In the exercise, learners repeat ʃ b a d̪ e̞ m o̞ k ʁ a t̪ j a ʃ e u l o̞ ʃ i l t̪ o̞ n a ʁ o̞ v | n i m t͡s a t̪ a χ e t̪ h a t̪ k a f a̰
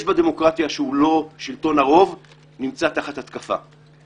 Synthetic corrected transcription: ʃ b a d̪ e̞ m o̞ k ʁ a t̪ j a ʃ e u l o̞ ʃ i l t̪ o̞ n a ʁ o̞ v | n i m t͡s a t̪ a χ a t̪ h a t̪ k a f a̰